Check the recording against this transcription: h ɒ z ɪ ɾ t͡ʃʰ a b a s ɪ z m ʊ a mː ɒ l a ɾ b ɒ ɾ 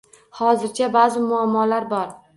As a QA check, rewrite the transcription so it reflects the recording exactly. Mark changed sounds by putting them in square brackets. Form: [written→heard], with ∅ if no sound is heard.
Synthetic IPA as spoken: h ɒ z ɪ ɾ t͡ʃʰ a b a [s→z] ɪ [z→∅] m ʊ a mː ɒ l a ɾ b ɒ ɾ

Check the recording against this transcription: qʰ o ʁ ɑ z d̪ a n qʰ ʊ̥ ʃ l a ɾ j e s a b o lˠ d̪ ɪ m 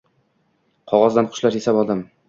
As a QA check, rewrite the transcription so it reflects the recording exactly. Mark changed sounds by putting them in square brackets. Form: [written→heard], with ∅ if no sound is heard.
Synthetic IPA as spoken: qʰ [o→ɒ] ʁ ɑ z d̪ a n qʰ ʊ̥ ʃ l a ɾ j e s a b [o→ɒ] lˠ d̪ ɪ m

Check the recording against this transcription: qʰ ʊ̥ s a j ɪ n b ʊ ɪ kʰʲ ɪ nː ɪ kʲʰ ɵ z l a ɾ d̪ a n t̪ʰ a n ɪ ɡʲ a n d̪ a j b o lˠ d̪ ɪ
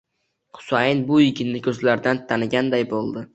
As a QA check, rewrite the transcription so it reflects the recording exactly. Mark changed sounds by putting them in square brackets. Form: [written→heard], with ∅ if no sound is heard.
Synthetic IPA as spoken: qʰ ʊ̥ s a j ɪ n b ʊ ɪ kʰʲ ɪ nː ɪ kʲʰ ɵ z l a ɾ d̪ a n t̪ʰ a n ɪ ɡʲ a n d̪ a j b o lˠ d̪ ɪ

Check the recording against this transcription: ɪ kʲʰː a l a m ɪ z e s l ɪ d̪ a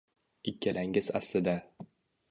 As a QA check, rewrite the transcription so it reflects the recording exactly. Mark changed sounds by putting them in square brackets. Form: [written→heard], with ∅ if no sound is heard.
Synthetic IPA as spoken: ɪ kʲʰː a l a [m→ŋ] ɪ z [e→a] s l ɪ d̪ a

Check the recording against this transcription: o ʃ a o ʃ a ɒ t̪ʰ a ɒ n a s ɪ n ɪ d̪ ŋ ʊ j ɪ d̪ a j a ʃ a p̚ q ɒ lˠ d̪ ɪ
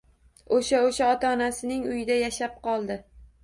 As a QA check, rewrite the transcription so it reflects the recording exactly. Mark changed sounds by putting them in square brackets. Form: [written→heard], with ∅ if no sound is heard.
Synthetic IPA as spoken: o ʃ a o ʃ a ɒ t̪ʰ a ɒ n a s ɪ n ɪ [d̪→∅] ŋ ʊ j ɪ d̪ a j a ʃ a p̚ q ɒ lˠ d̪ ɪ

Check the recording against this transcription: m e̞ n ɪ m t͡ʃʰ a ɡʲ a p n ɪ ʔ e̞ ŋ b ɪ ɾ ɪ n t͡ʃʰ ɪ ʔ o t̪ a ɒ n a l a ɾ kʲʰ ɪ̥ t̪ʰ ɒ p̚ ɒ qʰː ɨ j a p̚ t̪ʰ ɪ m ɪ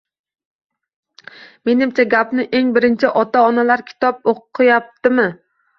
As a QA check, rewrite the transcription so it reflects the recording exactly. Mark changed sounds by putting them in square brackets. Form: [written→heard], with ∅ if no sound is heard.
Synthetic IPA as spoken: m e̞ n ɪ m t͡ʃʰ a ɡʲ a p n ɪ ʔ e̞ ŋ b ɪ ɾ ɪ n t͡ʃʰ ɪ ʔ [o→ɒ] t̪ a ɒ n a l a ɾ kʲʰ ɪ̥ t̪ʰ ɒ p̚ [ɒ→o] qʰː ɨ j a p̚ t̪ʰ ɪ m ɪ

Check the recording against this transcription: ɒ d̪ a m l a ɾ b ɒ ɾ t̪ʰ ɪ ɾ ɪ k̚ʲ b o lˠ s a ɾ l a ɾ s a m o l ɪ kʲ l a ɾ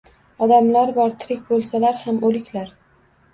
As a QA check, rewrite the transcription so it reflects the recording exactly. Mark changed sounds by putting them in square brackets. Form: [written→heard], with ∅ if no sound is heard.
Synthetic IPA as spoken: ɒ d̪ a m l a ɾ b ɒ ɾ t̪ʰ ɪ ɾ ɪ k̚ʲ b o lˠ s a [ɾ→∅] l a ɾ [s→h] a m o l ɪ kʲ l a ɾ

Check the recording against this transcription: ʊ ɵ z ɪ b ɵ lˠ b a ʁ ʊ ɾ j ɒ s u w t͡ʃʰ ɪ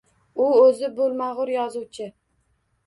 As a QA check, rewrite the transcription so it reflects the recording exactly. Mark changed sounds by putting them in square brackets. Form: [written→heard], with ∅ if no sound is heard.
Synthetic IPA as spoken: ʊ ɵ z ɪ b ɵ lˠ [b→m] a ʁ ʊ ɾ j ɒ [s→z] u w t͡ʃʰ ɪ

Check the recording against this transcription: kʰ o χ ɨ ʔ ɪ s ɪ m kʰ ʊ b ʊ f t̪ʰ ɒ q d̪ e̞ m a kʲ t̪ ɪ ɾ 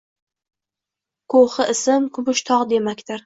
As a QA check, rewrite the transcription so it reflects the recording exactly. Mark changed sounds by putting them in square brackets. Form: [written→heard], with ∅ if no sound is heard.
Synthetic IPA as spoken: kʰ o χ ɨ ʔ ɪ s ɪ m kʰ ʊ b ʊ [f→ʃ] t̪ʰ ɒ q d̪ e̞ m a kʲ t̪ ɪ ɾ

